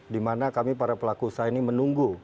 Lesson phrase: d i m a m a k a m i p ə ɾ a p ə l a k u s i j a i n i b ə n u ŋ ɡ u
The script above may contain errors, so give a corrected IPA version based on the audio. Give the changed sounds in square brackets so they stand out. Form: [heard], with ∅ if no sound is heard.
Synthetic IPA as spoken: d i m a [n] a k a m i p [a] ɾ a p ə l a k u s [a] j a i n i [m] ə n u ŋ ɡ u